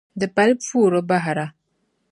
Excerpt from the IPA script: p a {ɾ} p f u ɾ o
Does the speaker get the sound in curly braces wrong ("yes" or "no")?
yes